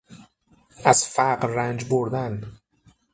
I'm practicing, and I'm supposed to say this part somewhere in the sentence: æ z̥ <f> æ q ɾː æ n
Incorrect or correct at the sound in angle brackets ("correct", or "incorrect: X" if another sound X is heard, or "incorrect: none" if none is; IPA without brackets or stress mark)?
correct